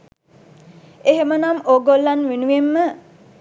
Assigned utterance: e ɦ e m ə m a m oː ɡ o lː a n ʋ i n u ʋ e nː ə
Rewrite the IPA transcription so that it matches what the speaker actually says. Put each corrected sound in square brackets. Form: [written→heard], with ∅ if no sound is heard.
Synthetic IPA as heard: e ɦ e m ə [m→n] a m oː ɡ o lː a n ʋ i n u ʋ e [nː→mː] ə